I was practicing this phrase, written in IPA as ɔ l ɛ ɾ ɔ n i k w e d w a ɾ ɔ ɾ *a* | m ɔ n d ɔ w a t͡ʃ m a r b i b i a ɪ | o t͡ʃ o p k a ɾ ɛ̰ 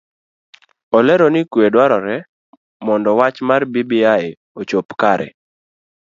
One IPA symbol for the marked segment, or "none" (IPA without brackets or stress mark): ɛ